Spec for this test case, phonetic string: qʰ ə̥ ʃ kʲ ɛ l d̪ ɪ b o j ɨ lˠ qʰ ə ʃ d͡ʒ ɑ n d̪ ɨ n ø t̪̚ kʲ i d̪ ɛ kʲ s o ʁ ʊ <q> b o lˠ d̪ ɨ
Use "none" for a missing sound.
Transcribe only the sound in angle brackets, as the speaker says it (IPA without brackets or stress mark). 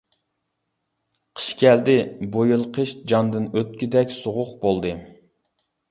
q